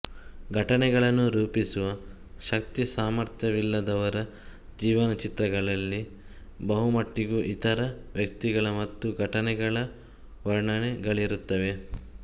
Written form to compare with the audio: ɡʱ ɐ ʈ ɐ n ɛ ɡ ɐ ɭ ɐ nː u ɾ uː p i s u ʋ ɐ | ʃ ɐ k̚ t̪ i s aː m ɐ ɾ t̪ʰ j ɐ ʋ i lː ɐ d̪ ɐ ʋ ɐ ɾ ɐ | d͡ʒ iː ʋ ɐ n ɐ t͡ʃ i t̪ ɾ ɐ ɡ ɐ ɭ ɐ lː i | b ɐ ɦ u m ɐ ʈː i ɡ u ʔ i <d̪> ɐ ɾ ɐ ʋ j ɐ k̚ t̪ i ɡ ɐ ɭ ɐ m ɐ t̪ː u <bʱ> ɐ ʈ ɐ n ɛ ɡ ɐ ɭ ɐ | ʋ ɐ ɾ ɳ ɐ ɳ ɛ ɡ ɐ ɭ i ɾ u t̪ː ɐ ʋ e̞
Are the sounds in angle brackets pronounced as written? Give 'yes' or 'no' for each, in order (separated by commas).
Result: no, no